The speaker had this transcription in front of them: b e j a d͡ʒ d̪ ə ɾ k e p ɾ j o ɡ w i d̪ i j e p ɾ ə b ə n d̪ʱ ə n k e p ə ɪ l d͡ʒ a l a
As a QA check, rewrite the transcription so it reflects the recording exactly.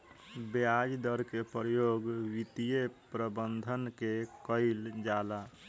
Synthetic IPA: b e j a d͡ʒ d̪ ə ɾ k e p ɾ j o ɡ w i t̪ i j e p ɾ ə b ə n d̪ʱ ə n k e k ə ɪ l d͡ʒ a l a